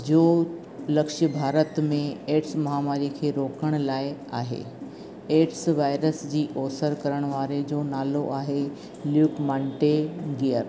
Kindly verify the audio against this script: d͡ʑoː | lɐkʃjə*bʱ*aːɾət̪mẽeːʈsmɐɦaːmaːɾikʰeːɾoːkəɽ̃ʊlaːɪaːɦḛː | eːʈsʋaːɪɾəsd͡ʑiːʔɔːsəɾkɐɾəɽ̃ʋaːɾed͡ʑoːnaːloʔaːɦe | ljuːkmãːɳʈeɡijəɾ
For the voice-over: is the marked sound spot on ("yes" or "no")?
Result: yes